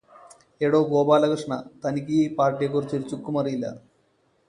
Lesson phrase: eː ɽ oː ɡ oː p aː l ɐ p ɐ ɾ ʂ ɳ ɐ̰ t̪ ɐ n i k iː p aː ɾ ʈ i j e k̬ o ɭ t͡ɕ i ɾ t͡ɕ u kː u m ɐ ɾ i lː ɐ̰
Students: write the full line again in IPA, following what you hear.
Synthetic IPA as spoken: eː ɽ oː ɡ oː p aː l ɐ k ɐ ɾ ʂ ɳ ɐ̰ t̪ ɐ n i k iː p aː ɾ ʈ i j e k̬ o ɾ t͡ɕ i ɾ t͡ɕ u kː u m ɐ ɾ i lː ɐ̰